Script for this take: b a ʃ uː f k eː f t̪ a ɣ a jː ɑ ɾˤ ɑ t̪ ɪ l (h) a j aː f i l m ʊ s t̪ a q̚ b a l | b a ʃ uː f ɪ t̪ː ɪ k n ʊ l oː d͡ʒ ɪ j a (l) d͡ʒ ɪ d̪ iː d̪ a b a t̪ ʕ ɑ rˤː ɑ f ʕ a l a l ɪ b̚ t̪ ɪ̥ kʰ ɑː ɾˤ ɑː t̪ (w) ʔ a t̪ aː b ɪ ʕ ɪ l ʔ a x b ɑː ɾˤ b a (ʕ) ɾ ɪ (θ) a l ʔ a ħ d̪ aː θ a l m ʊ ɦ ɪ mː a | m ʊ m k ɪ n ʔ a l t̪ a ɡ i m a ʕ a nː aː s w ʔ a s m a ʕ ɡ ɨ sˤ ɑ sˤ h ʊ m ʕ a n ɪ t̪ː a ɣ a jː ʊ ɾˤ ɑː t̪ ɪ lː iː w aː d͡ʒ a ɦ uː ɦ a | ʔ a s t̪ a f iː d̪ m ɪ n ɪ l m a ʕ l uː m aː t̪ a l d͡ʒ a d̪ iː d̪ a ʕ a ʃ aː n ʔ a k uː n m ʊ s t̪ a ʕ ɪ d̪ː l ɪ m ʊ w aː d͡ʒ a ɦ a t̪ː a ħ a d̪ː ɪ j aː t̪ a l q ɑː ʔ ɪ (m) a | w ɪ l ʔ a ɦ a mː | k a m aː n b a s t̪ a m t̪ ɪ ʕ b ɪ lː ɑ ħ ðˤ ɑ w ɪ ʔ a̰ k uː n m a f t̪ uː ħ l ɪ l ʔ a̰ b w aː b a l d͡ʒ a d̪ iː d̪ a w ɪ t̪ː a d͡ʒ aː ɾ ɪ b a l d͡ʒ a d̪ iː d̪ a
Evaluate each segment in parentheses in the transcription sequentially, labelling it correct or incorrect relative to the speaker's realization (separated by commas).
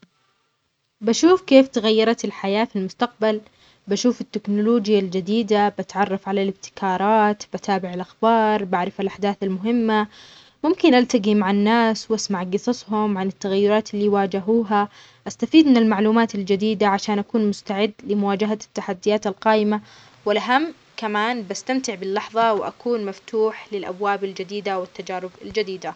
incorrect, correct, incorrect, correct, incorrect, correct